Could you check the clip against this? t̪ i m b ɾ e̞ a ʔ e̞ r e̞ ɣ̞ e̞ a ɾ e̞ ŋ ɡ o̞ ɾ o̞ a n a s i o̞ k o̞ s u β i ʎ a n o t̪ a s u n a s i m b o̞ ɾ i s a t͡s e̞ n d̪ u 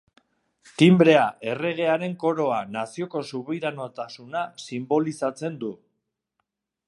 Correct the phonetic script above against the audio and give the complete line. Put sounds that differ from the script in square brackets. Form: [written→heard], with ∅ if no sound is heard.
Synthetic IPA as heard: t̪ i m b ɾ e̞ a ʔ e̞ r e̞ ɣ̞ e̞ a ɾ e̞ ŋ [ɡ→k] o̞ ɾ o̞ a n a s i o̞ k o̞ s u β i [ʎ→ɾ] a n o t̪ a s u n a s i m b o̞ [ɾ→l] i s a t͡s e̞ n d̪ u